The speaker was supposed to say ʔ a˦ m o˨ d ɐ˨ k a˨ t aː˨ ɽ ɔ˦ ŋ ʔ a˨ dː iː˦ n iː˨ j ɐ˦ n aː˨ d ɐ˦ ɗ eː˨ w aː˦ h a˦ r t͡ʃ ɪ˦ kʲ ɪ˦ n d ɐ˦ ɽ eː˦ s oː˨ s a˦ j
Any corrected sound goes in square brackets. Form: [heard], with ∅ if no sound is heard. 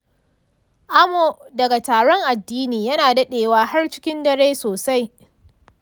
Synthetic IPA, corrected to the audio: ʔ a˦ m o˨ d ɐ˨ [ɡ] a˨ t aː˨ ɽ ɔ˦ ŋ ʔ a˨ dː iː˦ n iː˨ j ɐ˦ n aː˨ d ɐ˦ ɗ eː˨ w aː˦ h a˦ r t͡ʃ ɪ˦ kʲ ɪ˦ n d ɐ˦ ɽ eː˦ s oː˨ s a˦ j